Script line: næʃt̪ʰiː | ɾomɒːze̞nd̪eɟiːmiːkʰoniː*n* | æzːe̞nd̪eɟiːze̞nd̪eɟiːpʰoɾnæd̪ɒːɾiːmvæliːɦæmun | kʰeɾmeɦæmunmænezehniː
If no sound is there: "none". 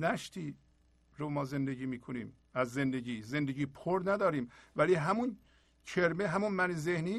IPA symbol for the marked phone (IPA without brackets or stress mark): m